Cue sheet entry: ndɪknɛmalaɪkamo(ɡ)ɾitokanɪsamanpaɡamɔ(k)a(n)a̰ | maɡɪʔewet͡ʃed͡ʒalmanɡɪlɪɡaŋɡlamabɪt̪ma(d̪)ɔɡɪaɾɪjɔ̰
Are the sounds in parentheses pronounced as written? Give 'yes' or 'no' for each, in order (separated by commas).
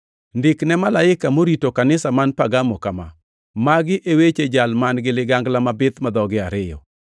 no, yes, no, yes